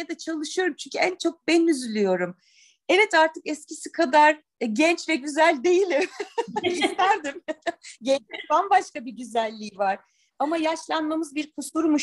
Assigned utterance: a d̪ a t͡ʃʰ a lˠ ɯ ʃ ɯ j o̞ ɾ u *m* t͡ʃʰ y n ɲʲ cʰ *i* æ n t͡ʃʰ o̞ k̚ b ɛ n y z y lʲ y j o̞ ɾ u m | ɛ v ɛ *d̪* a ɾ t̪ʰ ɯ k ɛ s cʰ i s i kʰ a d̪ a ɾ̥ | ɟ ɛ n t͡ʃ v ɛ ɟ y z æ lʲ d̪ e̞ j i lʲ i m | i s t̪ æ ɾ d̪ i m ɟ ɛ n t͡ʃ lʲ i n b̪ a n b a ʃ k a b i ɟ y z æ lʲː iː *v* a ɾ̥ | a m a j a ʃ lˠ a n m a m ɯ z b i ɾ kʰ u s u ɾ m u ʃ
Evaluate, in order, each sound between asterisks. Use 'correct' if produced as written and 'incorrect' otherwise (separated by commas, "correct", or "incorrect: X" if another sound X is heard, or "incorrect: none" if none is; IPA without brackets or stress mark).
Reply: correct, incorrect: y, incorrect: t̪, correct